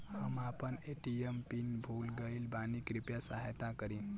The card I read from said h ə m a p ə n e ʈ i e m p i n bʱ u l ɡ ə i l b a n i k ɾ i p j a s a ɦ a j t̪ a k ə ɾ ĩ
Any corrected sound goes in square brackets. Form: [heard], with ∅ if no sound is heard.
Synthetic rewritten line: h ə m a p ə n e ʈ i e m p i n bʱ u l ɡ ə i l b a n i k ɾ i p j a s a ɦ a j t̪ a k ə ɾ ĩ